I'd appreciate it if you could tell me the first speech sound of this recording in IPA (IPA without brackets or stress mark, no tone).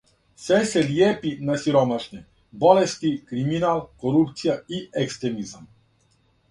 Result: s